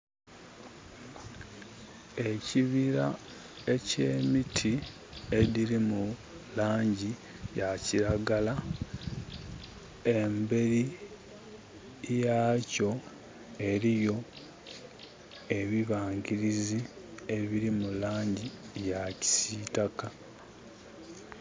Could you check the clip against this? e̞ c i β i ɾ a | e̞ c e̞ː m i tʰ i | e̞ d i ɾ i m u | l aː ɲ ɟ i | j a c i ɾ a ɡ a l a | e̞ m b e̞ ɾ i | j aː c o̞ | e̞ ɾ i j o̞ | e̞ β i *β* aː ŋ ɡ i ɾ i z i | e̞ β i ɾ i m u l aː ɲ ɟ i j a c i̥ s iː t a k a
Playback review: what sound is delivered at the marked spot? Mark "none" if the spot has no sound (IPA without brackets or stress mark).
β